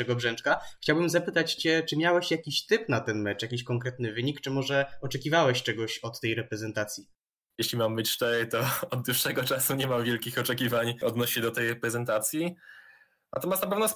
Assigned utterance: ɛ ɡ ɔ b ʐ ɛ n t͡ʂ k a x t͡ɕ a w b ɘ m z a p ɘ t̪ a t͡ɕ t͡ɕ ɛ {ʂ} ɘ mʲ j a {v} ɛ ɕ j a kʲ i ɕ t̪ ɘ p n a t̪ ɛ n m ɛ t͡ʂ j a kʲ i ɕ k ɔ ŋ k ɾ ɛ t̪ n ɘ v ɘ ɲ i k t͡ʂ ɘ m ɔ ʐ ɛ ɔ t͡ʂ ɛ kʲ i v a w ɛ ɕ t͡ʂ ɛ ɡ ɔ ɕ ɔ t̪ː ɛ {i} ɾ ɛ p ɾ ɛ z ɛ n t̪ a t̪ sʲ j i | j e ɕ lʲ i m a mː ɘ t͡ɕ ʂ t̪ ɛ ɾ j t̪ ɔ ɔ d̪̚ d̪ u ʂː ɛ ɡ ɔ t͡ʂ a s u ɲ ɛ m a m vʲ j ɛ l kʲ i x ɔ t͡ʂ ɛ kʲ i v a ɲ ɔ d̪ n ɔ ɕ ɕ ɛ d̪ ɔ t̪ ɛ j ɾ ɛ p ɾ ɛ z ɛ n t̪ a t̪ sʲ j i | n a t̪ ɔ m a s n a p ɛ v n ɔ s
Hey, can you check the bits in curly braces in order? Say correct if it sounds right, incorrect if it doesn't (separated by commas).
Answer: incorrect, incorrect, incorrect